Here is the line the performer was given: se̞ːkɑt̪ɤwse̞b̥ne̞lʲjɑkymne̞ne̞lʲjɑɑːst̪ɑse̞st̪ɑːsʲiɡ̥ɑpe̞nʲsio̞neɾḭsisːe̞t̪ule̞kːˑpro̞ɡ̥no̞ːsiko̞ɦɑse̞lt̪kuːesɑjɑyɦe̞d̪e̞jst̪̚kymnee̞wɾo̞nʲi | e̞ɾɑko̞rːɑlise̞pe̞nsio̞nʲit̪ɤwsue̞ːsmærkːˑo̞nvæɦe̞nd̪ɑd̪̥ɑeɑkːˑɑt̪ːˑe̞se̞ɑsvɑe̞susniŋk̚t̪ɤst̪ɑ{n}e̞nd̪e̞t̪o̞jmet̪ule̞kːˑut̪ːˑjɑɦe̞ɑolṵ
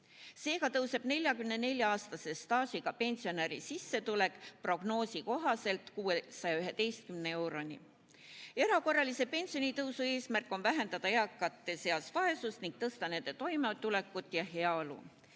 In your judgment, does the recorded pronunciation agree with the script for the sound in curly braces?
yes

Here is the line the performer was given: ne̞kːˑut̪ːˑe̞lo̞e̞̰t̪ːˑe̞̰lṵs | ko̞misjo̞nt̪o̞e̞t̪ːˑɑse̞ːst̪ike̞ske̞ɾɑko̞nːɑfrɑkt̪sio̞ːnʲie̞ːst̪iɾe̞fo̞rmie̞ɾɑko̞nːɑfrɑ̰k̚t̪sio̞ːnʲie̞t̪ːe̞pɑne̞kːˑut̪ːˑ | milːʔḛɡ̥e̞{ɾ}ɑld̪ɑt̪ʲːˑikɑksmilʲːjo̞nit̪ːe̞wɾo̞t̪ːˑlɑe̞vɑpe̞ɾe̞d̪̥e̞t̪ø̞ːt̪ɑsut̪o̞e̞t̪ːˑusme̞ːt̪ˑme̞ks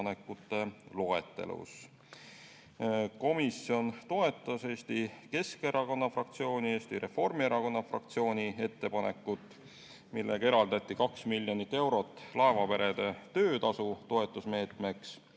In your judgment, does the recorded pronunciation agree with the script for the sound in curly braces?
yes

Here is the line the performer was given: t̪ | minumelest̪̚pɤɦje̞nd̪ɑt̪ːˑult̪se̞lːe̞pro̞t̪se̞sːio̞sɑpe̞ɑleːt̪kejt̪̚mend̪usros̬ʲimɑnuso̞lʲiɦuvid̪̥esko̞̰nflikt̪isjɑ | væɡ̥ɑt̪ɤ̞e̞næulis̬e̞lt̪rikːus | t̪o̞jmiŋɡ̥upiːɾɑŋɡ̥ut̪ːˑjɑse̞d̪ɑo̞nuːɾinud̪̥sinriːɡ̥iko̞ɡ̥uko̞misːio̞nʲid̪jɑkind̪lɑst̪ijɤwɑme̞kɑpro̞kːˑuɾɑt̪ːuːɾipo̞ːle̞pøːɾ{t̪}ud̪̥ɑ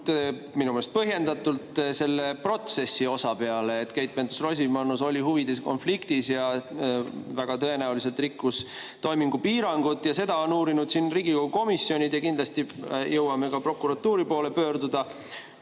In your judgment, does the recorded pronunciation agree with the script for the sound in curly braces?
no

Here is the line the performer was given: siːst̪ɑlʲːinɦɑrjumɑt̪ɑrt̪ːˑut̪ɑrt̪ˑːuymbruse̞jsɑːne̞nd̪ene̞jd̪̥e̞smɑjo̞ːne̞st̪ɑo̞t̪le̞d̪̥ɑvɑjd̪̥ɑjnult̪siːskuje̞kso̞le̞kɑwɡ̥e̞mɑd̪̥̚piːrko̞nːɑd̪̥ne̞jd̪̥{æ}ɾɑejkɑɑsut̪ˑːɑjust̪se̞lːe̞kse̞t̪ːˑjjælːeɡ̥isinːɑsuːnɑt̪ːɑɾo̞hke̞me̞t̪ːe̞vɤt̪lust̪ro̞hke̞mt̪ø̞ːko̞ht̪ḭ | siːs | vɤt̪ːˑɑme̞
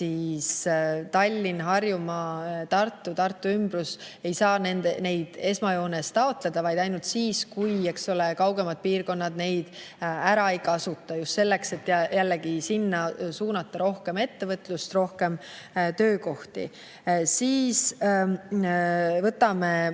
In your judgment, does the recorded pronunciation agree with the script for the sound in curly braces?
yes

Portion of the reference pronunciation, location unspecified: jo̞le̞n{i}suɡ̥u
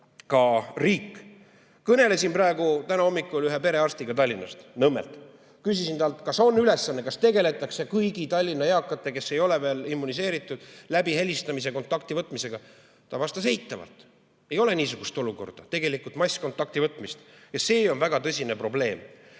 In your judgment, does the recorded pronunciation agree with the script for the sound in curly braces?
no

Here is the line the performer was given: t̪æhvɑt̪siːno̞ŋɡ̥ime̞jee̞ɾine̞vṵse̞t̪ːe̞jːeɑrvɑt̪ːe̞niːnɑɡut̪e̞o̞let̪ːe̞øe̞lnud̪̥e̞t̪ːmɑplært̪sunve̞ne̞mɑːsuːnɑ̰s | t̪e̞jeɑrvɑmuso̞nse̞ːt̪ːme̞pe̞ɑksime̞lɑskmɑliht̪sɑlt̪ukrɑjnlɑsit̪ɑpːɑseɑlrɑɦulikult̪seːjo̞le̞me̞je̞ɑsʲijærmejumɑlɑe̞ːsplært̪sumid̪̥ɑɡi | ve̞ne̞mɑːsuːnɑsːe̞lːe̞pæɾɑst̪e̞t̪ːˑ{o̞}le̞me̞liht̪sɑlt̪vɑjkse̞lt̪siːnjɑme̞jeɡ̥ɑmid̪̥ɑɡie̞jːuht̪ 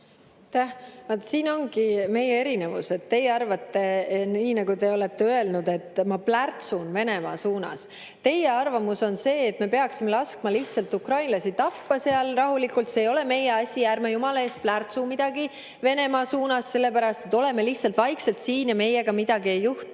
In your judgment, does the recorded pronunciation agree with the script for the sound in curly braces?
yes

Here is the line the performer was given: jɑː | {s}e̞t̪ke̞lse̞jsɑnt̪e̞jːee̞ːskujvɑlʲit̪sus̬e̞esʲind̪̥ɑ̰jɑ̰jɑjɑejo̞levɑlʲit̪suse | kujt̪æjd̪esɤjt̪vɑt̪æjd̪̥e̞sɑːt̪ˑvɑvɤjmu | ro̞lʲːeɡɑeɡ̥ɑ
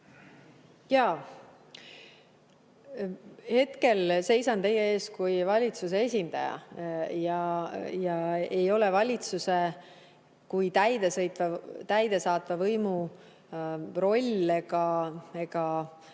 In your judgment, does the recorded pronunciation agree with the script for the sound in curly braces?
no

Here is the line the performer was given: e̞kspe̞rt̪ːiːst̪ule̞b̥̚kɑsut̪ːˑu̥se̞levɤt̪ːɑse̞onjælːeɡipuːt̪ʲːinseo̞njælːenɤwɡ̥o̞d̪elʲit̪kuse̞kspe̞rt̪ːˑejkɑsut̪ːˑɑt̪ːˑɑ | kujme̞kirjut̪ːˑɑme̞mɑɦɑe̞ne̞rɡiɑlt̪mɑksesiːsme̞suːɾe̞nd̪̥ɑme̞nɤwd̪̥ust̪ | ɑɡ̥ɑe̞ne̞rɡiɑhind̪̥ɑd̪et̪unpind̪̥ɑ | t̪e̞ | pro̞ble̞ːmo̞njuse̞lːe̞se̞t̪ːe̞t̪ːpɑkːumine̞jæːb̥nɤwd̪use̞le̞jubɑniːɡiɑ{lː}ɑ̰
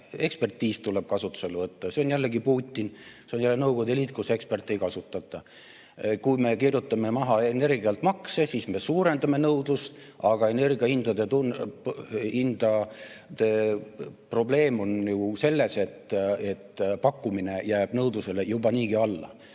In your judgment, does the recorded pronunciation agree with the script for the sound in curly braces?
yes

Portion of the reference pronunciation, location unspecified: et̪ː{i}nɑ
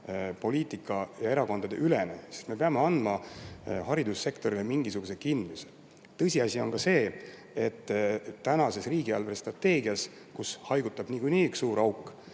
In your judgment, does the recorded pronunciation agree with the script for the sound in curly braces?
no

